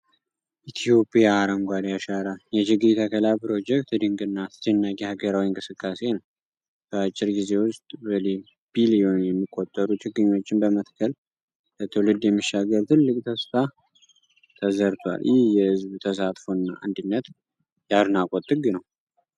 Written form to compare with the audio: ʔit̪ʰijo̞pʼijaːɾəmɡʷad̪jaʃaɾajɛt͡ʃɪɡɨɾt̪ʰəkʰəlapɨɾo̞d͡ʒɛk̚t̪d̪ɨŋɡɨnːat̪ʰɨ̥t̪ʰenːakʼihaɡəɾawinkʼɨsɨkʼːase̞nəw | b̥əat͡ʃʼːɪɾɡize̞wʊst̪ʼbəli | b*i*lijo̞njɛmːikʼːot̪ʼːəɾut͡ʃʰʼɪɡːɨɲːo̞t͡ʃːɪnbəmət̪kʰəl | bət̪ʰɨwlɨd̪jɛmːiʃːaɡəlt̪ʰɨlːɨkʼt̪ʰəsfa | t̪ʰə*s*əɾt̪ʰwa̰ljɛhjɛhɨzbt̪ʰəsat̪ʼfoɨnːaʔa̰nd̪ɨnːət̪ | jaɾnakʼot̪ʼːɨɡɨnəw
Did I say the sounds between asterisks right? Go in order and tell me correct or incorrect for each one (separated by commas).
correct, incorrect